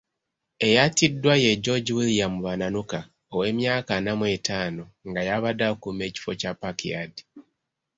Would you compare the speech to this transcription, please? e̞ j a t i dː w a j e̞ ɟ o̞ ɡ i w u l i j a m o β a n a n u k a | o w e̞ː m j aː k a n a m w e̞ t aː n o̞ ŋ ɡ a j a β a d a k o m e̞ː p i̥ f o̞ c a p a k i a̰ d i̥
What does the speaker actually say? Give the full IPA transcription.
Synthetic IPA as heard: e̞ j a t i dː w a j e̞ ɟ o̞ ɟ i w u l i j a m u β a n a n u k a | o w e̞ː m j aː k a n a m w e̞ t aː n o̞ ŋ ɡ a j a β a d a k u m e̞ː c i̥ f o̞ c a p a k i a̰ d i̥